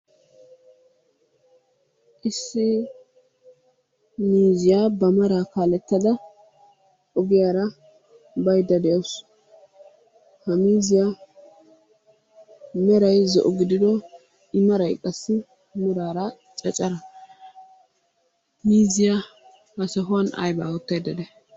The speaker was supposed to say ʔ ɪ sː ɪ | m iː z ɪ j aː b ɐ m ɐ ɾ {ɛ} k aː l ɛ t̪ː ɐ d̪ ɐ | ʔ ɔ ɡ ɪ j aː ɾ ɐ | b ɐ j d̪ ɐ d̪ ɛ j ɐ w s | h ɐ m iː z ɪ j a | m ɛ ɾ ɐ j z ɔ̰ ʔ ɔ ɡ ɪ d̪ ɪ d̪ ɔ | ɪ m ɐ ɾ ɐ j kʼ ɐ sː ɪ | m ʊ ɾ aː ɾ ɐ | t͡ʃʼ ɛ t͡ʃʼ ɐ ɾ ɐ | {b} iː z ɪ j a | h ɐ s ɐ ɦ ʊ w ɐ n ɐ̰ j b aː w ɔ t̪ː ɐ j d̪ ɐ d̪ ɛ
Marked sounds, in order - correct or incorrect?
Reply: incorrect: a, incorrect: m

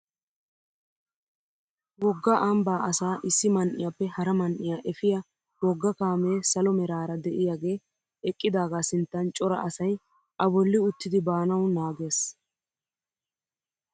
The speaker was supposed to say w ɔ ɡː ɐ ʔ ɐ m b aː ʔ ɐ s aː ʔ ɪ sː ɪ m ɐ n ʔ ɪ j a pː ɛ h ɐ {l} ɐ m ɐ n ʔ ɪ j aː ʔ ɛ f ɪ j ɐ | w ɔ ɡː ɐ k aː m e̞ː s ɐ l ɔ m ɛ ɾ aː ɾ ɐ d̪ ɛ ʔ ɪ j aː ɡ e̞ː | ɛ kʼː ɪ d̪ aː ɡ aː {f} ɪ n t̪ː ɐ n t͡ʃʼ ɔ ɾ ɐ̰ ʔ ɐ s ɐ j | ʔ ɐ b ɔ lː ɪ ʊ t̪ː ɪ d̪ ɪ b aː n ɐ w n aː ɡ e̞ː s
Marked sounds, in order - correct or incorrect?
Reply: incorrect: ɾ, incorrect: s

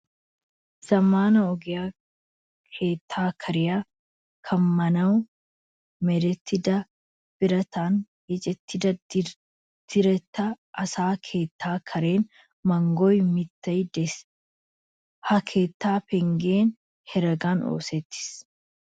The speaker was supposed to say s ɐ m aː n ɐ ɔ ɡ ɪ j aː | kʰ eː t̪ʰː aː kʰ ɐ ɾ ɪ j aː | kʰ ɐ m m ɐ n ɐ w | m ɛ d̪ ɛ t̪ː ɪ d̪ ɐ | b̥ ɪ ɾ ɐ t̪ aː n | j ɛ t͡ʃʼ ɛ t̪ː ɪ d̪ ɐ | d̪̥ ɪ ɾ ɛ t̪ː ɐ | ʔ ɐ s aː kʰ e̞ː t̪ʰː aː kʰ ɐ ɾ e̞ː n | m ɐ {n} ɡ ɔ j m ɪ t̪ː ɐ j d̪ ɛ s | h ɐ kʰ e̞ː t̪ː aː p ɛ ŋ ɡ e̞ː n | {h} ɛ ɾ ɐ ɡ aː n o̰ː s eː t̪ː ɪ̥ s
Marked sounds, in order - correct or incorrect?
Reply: incorrect: ŋ, correct

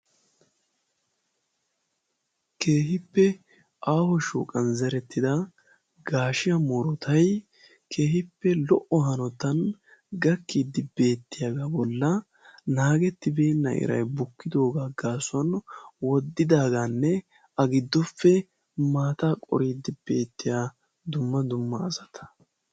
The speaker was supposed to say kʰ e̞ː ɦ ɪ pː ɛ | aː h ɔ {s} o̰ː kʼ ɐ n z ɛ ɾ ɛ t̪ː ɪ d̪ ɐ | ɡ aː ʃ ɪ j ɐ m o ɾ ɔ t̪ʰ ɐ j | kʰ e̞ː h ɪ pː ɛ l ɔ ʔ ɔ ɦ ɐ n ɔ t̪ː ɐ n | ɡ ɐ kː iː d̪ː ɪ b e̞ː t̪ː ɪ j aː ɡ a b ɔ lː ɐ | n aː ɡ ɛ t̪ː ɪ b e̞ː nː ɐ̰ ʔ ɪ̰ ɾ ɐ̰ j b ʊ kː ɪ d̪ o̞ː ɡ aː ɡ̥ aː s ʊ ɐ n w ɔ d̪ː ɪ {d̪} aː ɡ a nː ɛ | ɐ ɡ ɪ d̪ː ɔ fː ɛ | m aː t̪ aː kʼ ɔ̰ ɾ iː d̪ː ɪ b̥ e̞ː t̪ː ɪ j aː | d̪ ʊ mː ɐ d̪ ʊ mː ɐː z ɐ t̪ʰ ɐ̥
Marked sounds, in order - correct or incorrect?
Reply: incorrect: ʃ, correct

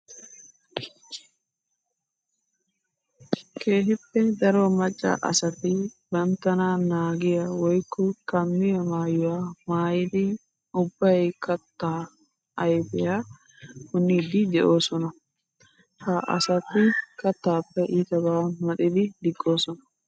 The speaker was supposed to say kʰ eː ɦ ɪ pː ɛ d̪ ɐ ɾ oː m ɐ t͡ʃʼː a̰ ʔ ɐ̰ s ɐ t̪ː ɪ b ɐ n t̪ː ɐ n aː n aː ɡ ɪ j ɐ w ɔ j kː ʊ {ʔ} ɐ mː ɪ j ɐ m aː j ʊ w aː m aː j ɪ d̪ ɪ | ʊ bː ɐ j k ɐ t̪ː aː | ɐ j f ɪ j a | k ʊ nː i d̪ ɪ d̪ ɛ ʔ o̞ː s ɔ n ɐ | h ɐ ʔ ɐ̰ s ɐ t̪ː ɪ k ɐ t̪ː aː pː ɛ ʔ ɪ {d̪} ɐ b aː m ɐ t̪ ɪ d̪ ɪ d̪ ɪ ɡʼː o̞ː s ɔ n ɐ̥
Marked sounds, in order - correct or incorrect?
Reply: incorrect: k, incorrect: t̪

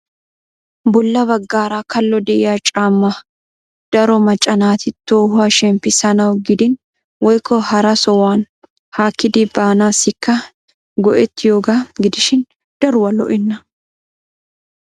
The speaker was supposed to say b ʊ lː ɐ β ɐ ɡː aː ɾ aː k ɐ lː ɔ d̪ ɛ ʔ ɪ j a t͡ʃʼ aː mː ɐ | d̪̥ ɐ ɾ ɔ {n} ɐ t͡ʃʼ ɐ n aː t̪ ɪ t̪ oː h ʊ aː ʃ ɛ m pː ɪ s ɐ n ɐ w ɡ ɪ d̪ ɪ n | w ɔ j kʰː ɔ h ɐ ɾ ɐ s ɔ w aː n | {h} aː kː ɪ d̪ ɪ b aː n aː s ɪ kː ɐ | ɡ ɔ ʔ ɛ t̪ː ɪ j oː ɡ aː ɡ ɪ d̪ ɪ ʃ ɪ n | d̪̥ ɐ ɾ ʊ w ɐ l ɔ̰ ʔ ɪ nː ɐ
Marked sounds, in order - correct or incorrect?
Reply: incorrect: m, correct

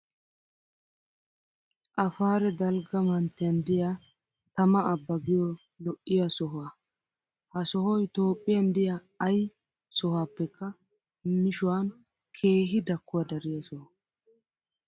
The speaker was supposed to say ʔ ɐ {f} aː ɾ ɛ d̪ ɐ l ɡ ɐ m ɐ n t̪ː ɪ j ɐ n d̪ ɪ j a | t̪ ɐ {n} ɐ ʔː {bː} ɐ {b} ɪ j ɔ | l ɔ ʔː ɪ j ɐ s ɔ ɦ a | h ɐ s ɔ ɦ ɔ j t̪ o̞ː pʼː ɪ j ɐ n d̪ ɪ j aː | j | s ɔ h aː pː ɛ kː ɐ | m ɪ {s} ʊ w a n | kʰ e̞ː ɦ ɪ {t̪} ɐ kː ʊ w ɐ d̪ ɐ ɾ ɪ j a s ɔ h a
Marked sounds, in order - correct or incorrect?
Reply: correct, incorrect: m, correct, incorrect: ɡ, incorrect: ʃ, incorrect: d̪

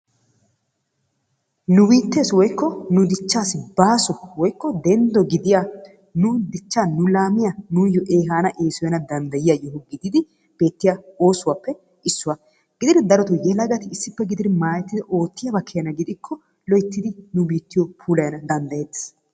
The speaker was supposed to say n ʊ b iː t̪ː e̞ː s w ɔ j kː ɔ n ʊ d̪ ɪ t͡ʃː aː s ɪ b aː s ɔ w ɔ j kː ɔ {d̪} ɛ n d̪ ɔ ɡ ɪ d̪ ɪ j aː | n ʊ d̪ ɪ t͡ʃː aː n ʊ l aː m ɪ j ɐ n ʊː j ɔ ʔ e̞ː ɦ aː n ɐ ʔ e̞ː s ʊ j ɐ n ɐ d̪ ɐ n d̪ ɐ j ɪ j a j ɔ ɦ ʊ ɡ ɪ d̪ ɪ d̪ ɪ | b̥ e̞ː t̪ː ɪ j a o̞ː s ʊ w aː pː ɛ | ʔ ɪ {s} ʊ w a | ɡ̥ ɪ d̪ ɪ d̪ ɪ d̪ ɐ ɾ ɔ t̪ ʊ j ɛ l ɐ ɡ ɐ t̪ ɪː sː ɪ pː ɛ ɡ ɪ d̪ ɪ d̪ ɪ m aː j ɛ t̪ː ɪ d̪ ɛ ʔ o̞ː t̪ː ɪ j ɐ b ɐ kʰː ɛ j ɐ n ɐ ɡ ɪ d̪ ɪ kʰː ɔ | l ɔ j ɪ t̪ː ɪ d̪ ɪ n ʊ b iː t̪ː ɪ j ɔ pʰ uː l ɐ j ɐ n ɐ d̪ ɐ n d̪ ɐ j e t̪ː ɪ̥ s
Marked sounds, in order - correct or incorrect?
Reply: correct, incorrect: sː

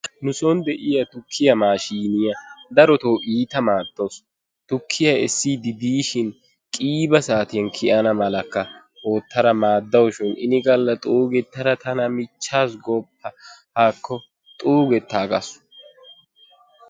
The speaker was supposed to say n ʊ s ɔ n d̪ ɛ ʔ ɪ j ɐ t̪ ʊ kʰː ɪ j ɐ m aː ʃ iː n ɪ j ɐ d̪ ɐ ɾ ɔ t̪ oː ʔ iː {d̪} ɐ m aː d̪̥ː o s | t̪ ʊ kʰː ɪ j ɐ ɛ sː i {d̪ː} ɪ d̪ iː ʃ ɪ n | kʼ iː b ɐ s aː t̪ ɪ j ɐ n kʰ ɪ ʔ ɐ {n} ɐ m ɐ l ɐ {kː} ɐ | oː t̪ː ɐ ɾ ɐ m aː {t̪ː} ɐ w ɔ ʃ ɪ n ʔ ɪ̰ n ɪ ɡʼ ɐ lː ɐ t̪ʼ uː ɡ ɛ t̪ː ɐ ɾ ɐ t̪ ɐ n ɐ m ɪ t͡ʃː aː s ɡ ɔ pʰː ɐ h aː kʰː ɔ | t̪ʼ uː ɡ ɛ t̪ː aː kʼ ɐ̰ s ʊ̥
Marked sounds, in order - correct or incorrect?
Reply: incorrect: t̪, incorrect: d̪, correct, correct, incorrect: d̪ː

